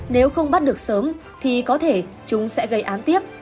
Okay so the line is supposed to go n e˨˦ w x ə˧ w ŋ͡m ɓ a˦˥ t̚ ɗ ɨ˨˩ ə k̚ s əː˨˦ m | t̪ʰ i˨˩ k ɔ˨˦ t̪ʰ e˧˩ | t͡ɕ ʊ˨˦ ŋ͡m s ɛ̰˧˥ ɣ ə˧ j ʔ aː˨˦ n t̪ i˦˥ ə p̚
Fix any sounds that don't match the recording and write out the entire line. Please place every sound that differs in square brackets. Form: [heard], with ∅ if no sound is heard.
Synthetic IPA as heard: n e˨˦ w x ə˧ w ŋ͡m ɓ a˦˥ t̚ ɗ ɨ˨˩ ə k̚ s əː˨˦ m | t̪ʰ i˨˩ k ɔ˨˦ t̪ʰ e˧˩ | t͡ɕ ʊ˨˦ ŋ͡m s ɛ̰˧˥ ɣ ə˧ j ʔ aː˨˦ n t̪ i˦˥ ə p̚